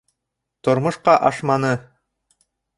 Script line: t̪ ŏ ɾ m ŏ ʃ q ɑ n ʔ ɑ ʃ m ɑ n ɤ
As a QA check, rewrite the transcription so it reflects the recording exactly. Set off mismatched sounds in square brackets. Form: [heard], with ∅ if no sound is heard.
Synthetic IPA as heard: t̪ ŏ ɾ m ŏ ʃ q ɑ [∅] ʔ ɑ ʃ m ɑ n ɤ